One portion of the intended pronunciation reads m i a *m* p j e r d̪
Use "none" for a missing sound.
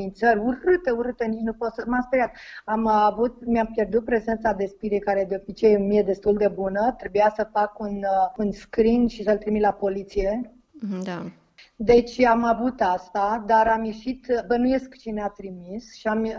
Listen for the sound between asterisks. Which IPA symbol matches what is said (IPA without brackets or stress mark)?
m